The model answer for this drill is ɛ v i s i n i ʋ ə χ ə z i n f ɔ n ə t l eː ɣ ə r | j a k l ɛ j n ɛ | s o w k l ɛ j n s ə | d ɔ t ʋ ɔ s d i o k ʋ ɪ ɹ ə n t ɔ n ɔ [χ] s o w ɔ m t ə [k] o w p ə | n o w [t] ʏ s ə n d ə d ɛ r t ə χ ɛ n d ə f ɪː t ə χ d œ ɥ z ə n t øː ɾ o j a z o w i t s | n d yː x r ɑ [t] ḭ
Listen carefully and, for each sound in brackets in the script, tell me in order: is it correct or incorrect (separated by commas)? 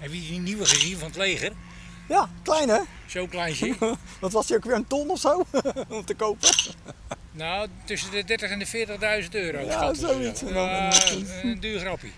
incorrect, correct, correct, incorrect